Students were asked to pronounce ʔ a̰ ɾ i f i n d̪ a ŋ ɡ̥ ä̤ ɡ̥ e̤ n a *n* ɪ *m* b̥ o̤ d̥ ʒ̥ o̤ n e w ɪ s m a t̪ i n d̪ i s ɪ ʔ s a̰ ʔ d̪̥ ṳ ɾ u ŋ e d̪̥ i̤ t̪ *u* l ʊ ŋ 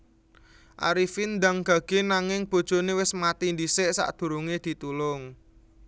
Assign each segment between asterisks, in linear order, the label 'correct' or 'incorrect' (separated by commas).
incorrect, incorrect, correct